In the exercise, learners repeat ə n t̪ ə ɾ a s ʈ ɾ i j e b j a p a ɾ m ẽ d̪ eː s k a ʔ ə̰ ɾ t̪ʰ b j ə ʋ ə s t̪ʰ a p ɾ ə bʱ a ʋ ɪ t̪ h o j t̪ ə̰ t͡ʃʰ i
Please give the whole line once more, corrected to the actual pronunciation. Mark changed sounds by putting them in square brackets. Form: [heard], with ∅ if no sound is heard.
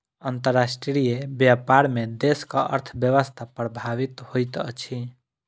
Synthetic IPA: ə n t̪ ə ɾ a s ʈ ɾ i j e b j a p a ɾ m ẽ d̪ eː s k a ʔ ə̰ ɾ t̪ʰ b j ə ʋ ə s t̪ʰ a p ɾ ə bʱ a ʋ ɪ t̪ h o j t̪ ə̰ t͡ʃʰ i